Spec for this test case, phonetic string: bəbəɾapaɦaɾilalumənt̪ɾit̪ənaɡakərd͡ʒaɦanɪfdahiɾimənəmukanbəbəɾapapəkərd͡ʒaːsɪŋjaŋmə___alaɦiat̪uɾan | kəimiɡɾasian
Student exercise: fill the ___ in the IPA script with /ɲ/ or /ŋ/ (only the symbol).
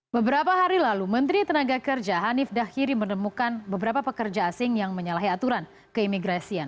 ɲ